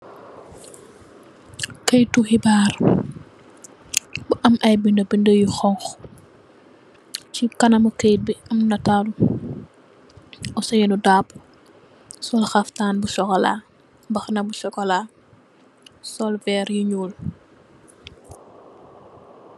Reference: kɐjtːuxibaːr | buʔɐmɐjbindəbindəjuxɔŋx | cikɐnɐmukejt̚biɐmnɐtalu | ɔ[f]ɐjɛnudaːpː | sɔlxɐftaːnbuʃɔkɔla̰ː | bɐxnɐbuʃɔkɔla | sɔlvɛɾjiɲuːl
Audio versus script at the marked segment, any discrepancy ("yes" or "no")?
yes